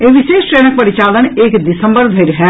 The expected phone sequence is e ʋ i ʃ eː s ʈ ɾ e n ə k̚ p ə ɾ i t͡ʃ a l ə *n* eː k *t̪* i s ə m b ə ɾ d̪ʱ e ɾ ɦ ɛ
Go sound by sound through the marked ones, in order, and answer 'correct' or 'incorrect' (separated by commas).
correct, incorrect